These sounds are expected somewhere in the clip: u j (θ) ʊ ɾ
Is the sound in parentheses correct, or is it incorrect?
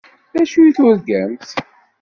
correct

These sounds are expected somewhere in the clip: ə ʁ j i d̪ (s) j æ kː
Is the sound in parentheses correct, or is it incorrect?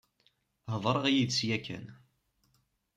correct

